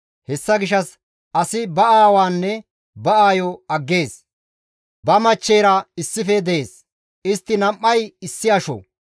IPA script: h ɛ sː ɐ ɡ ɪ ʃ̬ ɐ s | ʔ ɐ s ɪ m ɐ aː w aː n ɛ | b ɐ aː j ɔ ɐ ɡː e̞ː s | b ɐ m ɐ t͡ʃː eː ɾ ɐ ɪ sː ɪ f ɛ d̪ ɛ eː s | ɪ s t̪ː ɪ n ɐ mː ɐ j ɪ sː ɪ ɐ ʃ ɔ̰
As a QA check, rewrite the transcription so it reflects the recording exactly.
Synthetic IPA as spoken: h ɛ sː ɐ ɡ ɪ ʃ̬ ɐ s | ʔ ɐ s ɪ b ɐ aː w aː nː ɛ | b ɐ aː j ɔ ɐ ɡː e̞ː s | b ɐ m ɐ t͡ʃː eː ɾ ɐ ɪ sː ɪ f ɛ d̪ ɛ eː s | ɪ s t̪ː ɪ n ɐ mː ɐ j ɪ sː ɪ ɐ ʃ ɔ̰

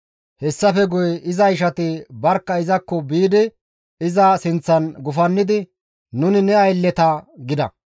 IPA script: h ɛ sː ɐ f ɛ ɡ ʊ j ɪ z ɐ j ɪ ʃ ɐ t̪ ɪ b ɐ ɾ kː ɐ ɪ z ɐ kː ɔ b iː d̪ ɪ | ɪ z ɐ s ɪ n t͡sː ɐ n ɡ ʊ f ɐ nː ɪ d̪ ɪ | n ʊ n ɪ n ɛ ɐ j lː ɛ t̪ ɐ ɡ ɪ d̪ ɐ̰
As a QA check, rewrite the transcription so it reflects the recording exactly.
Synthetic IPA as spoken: h ɛ sː ɐ f ɛ ɡ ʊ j ɪ z ɐ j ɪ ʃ ɐ t̪ ɪ b ɐ ɾ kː ɐ ɪ z ɐ kː ɔ b iː d̪ ɪ | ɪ z ɐ s ɪ n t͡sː ɐ n ɡ ʊ f ɐ nː ɪ d̪ ɪ | n ʊ n ɪ n ɛ ɐ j lː ɛ t̪ ɐ ɡ ɪ d̪ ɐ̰

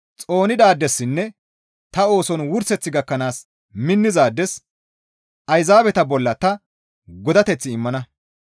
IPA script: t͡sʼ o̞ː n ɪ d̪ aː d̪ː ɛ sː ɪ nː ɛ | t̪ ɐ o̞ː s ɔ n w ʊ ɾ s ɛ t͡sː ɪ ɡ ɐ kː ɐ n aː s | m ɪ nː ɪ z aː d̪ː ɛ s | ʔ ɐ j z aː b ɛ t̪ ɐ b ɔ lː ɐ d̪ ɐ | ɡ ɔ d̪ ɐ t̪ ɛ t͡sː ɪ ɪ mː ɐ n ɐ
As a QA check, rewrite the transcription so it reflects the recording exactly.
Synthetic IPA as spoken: t͡sʼ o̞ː n ɪ d̪ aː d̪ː ɛ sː ɪ nː ɛ | t̪ ɐ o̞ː s ɔ n w ʊ ɾ s ɛ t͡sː ɪ ɡ ɐ kː ɐ n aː s | m ɪ nː ɪ z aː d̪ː ɛ s | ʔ ɐ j z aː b ɛ t̪ ɐ b ɔ lː ɐ t̪ ɐ | ɡ ɔ d̪ ɐ t̪ ɛ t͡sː ɪ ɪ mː ɐ n ɐ

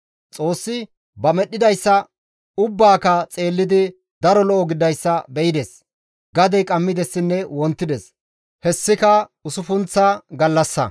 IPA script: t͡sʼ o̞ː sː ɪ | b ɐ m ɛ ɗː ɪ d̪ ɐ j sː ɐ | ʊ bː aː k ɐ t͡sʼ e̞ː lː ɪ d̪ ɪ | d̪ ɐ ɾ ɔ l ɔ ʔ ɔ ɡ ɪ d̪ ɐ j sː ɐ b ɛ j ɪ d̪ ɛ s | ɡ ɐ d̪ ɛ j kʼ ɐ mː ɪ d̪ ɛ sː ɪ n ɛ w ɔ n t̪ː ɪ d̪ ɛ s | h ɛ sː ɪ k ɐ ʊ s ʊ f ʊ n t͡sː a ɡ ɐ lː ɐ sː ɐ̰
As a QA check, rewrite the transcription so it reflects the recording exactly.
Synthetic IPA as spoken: t͡sʼ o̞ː sː ɪ | b ɐ m ɛ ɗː ɪ d̪ ɐ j sː ɐ | ʊ bː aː k ɐ t͡sʼ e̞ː lː ɪ d̪ ɪ | d̪ ɐ ɾ ɔ l ɔ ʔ ɔ ɡ ɪ d̪ ɐ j sː ɐ b ɛ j ɪ d̪ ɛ s | ɡ ɐ d̪ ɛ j kʼ ɐ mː ɪ d̪ ɛ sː ɪ nː ɛ w ɔ n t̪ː ɪ d̪ ɛ s | h ɛ sː ɪ k ɐ ʊ s ʊ f ʊ n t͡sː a ɡ ɐ lː ɐ sː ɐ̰

